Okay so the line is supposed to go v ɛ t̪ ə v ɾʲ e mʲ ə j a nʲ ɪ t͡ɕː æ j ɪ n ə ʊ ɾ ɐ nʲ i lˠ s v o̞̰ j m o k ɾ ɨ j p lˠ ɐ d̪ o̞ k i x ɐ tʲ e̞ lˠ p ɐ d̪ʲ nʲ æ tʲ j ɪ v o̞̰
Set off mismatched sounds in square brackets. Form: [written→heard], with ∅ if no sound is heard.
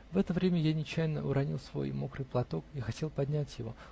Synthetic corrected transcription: v ɛ t̪ ə v ɾʲ e mʲ ə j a nʲ ɪ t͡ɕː æ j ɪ n ə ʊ ɾ ɐ nʲ i lˠ s v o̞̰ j m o k ɾ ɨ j p lˠ ɐ [d̪→t̪] o̞ k i x ɐ tʲ e̞ lˠ p ɐ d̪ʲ nʲ æ tʲ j ɪ v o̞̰